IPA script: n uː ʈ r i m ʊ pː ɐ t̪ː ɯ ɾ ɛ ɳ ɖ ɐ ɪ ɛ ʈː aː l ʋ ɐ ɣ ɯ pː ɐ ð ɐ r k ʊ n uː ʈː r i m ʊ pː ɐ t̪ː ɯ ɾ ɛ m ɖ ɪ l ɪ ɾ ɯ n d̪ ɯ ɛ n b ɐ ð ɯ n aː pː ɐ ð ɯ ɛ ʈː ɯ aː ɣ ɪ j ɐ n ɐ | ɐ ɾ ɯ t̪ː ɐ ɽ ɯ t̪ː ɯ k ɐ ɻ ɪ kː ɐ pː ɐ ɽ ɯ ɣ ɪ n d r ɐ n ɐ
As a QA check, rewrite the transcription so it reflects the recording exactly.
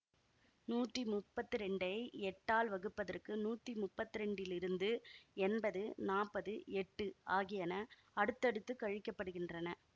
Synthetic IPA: n uː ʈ r i m ʊ pː ɐ t̪ː ɯ ɾ ɛ ɳ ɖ ɐ ɪ ɛ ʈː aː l ʋ ɐ ɣ ɯ pː ɐ ð ɐ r k ɯ n uː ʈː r i m ʊ pː ɐ t̪ː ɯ ɾ ɛ ɳ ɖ ɪ l ɪ ɾ ɯ n d̪ ɯ ɛ n b ɐ ð ɯ n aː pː ɐ ð ɯ ɛ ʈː ɯ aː ɣ ɪ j ɐ n ɐ | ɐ ɽ ɯ t̪ː ɐ ɽ ɯ t̪ː ɯ k ɐ ɻ ɪ kː ɐ pː ɐ ɽ ɯ ɣ ɪ n d r ɐ n ɐ